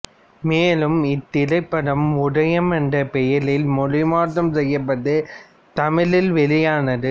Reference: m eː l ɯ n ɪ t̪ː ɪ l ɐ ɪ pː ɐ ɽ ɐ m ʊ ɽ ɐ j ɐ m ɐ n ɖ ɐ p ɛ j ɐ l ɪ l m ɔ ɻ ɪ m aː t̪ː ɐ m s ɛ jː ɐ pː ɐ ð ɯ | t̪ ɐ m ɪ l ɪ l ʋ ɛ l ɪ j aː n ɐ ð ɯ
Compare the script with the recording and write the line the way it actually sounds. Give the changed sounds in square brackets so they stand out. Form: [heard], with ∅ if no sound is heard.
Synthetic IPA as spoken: m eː l ɯ [m] ɪ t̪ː ɪ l ɐ ɪ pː ɐ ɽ ɐ m ʊ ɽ ɐ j ɐ m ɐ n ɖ ɐ p ɛ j ɐ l ɪ l m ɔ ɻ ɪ m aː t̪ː ɐ m s ɛ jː ɐ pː ɐ ð ɯ | t̪ ɐ m ɪ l ɪ l ʋ ɛ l ɪ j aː n ɐ ð ɯ